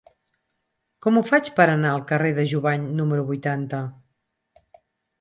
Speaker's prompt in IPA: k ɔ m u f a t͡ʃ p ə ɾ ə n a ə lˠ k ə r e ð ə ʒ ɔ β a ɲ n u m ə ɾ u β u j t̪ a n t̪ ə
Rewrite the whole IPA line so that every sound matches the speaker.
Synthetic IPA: k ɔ m u f a t͡ʃ p ə ɾ ə n a ə lˠ k ə r e ð ə ʒ u β a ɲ n u m ə ɾ u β u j t̪ a n t̪ ə